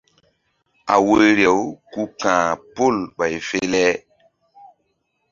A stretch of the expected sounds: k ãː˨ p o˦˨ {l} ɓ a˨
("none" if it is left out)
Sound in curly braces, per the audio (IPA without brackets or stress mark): l